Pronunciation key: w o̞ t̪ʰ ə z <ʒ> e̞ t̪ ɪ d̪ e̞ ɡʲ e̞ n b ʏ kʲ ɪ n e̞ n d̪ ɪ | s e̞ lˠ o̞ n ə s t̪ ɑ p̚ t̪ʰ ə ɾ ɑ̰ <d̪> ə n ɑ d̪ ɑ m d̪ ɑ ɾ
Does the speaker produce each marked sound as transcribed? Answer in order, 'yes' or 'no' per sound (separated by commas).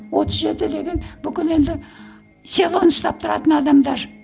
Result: yes, no